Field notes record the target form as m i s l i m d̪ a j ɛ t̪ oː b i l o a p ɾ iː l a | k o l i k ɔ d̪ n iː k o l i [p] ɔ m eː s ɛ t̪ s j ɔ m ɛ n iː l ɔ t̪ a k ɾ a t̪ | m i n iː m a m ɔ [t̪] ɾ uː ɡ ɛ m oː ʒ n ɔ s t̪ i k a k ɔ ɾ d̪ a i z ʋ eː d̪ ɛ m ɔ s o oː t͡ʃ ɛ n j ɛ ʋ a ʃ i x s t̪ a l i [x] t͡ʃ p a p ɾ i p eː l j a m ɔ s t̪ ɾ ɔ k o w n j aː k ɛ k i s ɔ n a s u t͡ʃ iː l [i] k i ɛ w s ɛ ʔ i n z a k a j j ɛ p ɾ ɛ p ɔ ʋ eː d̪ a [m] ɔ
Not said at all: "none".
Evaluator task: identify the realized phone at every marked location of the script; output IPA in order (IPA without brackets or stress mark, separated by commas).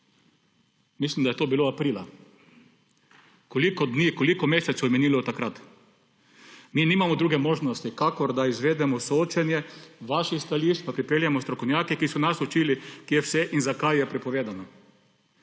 k, d̪, ʃ, i, n